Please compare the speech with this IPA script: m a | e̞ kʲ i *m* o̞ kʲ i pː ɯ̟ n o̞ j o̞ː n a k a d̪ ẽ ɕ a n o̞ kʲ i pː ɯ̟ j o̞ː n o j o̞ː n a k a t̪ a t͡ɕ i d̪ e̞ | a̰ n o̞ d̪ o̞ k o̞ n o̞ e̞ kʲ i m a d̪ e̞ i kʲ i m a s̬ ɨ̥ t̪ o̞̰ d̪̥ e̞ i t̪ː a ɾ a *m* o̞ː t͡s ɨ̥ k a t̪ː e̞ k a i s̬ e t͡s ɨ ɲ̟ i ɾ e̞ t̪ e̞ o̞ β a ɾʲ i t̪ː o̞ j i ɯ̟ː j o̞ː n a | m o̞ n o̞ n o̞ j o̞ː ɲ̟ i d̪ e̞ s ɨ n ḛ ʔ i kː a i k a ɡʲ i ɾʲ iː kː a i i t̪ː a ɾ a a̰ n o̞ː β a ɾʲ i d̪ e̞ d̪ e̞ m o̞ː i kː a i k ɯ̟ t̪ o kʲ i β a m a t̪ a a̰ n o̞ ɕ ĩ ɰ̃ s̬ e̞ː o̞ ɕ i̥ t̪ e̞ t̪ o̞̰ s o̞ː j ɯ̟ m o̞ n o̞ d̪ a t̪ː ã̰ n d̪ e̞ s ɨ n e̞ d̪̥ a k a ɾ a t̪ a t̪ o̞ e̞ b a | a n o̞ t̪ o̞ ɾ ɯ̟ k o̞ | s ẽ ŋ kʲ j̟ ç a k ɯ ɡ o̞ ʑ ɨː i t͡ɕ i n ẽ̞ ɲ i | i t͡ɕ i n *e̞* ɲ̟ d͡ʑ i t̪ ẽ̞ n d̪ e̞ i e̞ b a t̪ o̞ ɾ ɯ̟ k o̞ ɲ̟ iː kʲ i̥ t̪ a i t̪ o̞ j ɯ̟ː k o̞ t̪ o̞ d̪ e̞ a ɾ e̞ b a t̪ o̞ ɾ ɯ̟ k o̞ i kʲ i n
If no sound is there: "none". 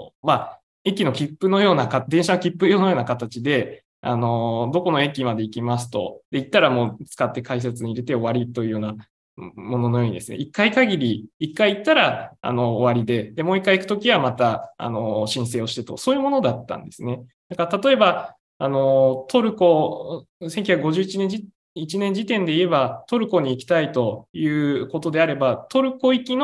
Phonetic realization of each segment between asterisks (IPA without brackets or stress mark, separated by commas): n, m, ẽ̞